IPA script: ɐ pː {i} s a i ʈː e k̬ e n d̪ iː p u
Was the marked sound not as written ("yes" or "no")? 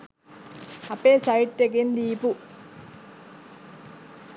yes